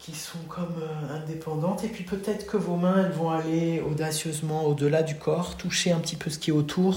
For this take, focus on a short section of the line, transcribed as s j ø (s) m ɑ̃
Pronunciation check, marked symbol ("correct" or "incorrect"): incorrect